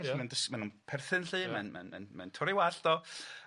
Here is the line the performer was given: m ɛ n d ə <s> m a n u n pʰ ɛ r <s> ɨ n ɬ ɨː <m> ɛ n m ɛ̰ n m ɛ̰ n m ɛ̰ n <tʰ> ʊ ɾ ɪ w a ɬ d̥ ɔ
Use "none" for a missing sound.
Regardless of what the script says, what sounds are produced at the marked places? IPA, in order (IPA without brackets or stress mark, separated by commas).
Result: s, θ, m, tʰ